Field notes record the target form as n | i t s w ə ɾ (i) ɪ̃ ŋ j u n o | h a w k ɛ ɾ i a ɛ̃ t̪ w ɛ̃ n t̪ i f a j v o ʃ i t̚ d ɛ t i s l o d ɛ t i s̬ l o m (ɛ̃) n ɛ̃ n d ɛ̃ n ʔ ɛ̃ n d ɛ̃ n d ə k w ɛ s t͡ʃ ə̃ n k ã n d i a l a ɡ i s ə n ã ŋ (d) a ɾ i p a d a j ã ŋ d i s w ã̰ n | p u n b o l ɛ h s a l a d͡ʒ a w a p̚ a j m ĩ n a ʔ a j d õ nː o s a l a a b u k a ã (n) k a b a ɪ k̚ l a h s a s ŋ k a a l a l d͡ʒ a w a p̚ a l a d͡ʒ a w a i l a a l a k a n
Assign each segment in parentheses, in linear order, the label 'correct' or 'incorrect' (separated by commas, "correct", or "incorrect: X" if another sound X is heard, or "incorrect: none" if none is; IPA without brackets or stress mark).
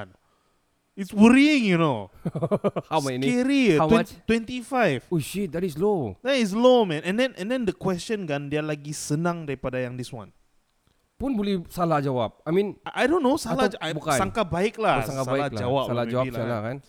correct, correct, correct, incorrect: ŋ